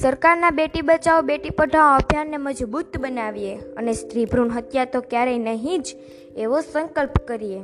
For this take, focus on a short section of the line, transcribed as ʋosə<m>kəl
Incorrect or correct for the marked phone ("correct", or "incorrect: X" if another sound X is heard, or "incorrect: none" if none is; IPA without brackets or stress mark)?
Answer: incorrect: ŋ